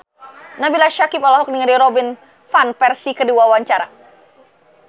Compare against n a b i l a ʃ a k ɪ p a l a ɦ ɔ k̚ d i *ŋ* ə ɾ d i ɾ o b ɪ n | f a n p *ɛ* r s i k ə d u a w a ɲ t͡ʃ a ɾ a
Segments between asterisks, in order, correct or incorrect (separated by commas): correct, correct